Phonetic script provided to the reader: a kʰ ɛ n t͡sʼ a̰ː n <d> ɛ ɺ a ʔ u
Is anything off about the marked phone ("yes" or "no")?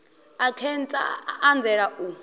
yes